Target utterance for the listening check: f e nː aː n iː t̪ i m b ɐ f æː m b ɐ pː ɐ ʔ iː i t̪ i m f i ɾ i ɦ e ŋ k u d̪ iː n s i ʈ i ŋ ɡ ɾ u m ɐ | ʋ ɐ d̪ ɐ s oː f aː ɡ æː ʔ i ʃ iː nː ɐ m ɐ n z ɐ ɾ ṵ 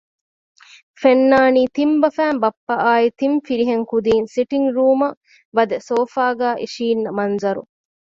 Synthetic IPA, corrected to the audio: f e nː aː n iː t̪ i m b ɐ f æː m b ɐ pː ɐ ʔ aː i t̪ i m f i ɾ i ɦ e ŋ k u d̪ iː n s i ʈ i ŋ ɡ ɾ uː m ɐ | ʋ ɐ d̪ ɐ s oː f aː ɡ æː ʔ i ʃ iː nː ɐ m ɐ n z ɐ ɾ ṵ